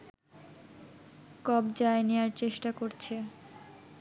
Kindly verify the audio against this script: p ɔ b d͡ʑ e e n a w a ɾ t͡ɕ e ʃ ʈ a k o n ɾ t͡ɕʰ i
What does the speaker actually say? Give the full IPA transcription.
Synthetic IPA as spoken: k ɔ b d͡ʑ a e n e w a ɾ t͡ɕ e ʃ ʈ a k o ɾ t͡ɕʰ e